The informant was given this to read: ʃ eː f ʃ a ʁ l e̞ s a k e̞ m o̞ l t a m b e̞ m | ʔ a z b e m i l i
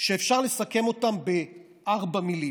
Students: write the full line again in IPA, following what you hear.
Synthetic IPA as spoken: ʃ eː f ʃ a ʁ l e̞ s a k e̞ m o̞ t a m b e̞ | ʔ a ʁ b a m i l i